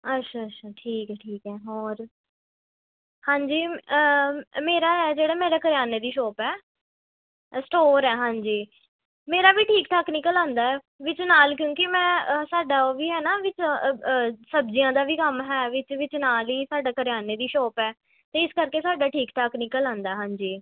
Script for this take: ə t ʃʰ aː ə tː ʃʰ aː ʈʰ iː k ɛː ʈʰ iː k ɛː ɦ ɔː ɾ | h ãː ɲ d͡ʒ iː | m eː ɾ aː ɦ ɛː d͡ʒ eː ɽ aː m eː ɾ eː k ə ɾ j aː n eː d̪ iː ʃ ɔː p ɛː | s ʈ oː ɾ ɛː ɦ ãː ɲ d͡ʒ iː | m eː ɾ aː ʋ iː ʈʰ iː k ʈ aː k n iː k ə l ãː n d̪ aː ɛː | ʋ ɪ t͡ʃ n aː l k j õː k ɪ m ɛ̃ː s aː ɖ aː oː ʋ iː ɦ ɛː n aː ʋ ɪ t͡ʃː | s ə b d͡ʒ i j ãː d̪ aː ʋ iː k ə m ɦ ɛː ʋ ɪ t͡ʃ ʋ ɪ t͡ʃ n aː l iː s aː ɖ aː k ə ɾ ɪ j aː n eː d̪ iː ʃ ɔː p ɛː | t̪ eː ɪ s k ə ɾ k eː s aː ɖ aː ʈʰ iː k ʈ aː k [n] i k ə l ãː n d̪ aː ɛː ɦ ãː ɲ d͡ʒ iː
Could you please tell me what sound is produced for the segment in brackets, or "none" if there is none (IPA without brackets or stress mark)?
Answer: n